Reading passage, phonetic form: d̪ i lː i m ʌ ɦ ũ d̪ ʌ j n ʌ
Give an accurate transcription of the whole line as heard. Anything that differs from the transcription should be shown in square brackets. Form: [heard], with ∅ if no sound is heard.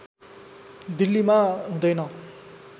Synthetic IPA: d̪ i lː i m [a] ɦ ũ d̪ ʌ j n ʌ